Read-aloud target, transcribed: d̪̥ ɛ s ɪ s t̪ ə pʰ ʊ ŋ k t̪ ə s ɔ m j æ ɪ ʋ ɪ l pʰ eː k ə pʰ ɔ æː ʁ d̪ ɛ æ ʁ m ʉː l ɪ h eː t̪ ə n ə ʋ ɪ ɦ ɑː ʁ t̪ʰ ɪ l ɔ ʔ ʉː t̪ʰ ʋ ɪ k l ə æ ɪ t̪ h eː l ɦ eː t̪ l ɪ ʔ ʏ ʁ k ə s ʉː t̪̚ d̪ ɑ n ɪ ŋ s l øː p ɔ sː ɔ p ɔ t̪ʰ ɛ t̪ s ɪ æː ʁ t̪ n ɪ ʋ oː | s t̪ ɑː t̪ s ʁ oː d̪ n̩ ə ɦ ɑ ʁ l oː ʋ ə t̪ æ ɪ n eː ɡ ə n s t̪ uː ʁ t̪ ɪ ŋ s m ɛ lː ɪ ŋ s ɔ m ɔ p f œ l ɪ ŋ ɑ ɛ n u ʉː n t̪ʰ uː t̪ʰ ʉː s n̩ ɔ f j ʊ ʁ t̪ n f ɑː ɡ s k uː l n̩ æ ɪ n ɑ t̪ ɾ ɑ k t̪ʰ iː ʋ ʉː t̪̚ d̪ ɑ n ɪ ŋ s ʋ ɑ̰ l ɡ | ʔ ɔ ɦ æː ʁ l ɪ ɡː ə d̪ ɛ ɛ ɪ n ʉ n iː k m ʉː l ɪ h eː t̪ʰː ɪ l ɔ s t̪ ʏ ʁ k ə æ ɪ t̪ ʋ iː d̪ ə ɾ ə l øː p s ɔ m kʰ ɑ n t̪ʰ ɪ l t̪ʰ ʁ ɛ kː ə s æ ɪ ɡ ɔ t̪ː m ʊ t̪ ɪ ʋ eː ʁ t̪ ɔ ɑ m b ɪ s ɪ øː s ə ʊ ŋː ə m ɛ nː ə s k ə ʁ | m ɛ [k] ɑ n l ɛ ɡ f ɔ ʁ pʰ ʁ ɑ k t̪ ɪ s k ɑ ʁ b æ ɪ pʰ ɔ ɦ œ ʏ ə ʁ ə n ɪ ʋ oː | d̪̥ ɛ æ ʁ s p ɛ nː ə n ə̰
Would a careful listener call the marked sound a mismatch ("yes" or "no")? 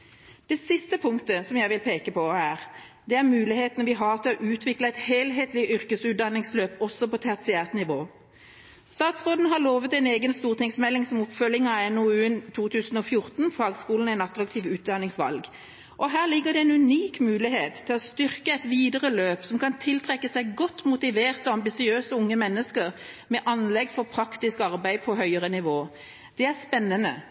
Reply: yes